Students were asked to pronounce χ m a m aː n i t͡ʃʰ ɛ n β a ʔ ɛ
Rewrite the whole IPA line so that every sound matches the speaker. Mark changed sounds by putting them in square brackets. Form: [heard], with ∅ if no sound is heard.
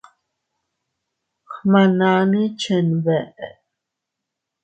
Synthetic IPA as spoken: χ m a [n] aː n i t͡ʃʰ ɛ n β [ɛ] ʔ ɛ